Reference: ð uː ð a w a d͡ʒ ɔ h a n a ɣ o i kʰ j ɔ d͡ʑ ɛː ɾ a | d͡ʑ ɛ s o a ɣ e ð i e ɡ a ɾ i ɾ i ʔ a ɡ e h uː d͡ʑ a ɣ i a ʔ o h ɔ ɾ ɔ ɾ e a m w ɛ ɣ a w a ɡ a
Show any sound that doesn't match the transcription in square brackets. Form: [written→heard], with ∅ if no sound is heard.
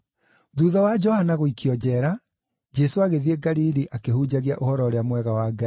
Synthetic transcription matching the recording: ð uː ð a w a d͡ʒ ɔ h a n a ɣ o i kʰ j ɔ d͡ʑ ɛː ɾ a | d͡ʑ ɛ s o a ɣ e ð i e ɡ a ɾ i ɾ i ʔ a [ɡ→k] e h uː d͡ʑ a ɣ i a ʔ o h ɔ ɾ ɔ ɾ e a m w ɛ ɣ a w a ɡ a